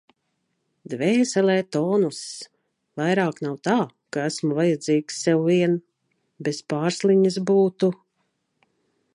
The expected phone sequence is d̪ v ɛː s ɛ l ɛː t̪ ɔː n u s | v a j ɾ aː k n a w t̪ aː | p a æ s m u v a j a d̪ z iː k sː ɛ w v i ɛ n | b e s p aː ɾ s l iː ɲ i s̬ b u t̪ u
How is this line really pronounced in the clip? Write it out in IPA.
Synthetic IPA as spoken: d̪ v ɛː s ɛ l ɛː t̪ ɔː n u s | v a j ɾ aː k n a w t̪ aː | k a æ s m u v a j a d̪ z iː k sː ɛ w v i ɛ n | b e s p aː ɾ s l i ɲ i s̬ b uː t̪ u